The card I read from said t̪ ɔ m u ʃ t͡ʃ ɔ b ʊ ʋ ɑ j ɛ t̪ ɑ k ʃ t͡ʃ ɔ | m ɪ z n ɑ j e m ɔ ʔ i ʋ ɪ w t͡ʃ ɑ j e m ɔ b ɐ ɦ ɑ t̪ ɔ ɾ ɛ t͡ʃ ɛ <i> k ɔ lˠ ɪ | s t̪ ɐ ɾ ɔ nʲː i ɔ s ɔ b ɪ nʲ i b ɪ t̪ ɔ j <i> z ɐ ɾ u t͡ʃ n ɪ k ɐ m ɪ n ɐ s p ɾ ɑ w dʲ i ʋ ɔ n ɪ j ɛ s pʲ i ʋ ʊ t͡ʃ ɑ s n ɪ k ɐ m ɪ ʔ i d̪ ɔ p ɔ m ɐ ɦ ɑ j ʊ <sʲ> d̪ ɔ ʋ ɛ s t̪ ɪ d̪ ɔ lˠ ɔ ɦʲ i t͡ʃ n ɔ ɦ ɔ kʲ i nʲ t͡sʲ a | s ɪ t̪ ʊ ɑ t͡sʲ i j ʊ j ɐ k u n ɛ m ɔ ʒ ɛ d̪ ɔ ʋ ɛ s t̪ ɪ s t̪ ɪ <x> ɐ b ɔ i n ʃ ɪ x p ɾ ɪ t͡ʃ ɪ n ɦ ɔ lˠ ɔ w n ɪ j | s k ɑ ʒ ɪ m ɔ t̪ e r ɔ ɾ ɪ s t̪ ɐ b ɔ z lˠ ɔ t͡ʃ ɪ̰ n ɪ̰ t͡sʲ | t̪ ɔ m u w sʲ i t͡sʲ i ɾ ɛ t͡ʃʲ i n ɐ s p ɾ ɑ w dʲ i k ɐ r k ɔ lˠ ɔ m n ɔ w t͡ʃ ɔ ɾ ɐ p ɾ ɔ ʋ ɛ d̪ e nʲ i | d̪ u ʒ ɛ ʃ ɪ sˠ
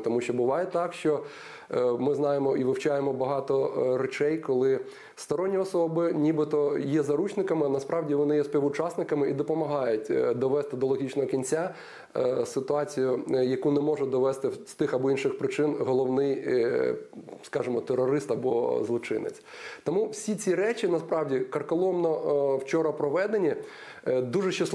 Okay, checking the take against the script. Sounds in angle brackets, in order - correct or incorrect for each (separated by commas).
incorrect, incorrect, incorrect, correct